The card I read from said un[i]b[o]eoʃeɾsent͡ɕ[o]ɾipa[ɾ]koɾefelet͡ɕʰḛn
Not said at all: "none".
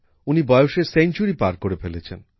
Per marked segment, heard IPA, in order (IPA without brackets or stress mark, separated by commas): i, ɔ, u, ɾ